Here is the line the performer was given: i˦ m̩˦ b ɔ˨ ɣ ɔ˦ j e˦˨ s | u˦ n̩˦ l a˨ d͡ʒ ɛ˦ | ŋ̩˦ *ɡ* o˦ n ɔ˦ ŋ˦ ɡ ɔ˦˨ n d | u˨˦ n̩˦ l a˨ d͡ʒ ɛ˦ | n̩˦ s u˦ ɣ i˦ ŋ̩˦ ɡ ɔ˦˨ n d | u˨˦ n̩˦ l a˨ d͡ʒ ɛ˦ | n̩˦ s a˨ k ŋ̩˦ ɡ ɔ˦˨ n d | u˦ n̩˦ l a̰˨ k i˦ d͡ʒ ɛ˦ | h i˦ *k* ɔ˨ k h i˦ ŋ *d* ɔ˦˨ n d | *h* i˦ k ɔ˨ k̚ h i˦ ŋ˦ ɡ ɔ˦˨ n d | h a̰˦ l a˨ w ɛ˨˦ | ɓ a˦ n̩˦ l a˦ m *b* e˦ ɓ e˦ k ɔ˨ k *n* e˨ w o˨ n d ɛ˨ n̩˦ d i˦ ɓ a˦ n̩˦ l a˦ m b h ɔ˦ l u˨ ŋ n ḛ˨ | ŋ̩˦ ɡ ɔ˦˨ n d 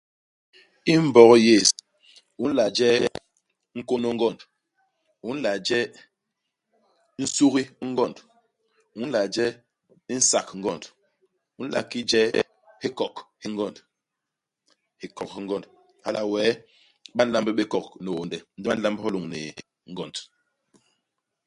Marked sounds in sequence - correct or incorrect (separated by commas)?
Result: incorrect, correct, incorrect, correct, correct, correct